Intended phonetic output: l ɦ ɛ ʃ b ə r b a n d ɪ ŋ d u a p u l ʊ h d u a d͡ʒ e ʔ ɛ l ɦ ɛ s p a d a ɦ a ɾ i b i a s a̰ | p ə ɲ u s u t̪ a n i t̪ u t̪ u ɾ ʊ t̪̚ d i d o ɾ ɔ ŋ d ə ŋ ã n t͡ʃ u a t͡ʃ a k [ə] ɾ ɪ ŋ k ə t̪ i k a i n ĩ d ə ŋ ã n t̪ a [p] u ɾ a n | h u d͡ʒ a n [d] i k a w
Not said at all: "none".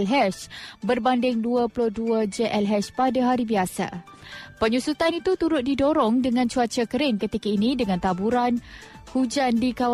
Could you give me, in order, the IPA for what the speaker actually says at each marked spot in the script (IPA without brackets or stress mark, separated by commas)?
ə, b, d